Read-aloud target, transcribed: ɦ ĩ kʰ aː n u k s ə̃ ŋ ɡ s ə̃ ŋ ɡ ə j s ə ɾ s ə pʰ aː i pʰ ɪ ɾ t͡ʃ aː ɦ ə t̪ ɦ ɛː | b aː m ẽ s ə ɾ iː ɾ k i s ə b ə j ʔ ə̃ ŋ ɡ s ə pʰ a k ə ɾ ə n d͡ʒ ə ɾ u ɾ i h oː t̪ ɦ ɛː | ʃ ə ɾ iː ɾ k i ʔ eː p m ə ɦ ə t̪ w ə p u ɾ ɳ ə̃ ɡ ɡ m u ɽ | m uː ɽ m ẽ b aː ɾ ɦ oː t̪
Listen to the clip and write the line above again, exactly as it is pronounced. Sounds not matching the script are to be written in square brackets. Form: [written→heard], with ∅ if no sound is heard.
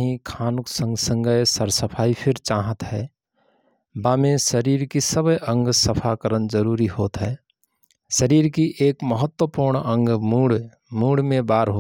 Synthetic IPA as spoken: ɦ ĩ kʰ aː n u k s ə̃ ŋ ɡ s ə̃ ŋ ɡ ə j s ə ɾ s ə pʰ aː i pʰ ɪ ɾ t͡ʃ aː ɦ ə t̪ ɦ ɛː | b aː m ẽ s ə ɾ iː ɾ k i s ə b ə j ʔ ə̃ ŋ ɡ s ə pʰ a k ə ɾ ə n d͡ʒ ə ɾ u ɾ i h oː t̪ ɦ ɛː | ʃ ə ɾ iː ɾ k i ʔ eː [p→k] m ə ɦ ə t̪ w ə p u ɾ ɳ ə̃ [ɡ→ŋ] ɡ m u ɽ | m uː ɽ m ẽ b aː ɾ ɦ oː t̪